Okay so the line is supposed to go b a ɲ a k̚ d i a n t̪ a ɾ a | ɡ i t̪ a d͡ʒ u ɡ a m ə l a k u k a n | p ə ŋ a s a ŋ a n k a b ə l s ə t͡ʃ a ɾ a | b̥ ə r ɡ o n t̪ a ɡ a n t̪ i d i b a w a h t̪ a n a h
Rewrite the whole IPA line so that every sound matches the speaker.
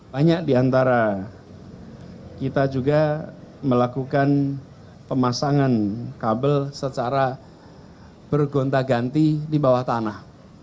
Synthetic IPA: b a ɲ a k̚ d i a n t̪ a ɾ a | k i t̪ a d͡ʒ u ɡ a m ə l a k u k a n | p ə m a s a ŋ a n k a b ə l s ə t͡ʃ a ɾ a | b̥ ə r ɡ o n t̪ a ɡ a n t̪ i d i b a w a h t̪ a n a h